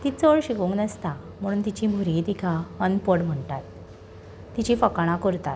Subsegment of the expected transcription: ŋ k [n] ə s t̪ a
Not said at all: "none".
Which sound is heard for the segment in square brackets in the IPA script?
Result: n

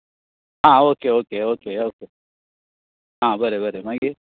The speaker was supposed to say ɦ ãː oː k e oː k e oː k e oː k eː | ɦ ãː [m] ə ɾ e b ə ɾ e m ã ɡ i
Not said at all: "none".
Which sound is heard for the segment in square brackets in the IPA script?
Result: b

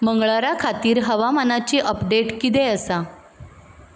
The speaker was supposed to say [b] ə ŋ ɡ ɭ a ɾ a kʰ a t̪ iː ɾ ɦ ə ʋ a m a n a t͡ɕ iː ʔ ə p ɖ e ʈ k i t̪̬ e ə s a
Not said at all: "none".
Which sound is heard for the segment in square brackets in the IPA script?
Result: m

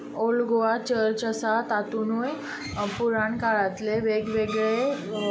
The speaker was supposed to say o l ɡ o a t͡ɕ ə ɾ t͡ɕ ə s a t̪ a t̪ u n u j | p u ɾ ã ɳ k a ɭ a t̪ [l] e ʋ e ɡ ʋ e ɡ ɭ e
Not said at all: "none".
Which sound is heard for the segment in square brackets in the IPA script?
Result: l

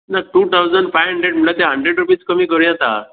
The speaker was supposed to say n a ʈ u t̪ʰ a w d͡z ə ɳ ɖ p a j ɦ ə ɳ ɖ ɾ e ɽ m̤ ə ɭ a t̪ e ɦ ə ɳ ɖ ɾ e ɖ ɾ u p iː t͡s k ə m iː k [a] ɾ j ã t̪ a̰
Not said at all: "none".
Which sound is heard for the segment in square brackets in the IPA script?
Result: ə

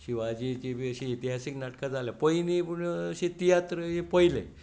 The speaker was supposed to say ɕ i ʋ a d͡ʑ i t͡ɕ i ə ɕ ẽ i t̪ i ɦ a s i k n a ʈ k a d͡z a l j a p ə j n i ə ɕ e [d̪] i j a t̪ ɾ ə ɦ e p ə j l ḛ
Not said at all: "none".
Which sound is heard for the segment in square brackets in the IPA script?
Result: t̪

